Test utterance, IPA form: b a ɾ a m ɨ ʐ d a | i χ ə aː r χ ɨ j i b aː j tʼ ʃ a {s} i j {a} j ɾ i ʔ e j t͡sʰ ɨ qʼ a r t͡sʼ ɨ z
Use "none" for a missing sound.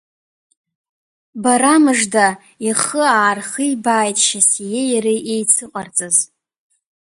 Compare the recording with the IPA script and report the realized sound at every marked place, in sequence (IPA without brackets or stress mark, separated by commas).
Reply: s, e